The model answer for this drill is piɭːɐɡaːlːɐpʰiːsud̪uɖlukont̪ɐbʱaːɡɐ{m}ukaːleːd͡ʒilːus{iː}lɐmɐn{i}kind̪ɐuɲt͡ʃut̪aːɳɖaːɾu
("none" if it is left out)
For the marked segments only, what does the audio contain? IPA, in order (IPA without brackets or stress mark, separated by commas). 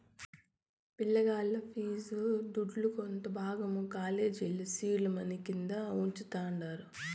m, iː, i